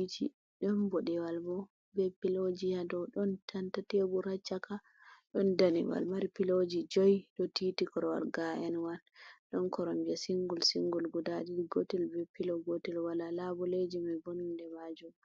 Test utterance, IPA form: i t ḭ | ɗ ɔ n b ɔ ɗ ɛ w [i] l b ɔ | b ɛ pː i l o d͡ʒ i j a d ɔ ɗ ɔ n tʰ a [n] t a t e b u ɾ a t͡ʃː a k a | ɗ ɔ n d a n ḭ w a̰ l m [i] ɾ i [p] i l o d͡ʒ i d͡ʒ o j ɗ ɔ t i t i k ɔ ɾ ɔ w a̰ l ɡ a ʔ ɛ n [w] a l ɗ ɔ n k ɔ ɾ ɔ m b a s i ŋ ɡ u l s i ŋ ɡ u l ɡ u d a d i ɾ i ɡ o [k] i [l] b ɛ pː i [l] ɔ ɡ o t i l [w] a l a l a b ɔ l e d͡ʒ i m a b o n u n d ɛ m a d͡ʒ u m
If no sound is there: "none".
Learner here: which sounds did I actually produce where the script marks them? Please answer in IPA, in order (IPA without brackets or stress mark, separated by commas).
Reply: a, n, a, p, w, t, l, l, w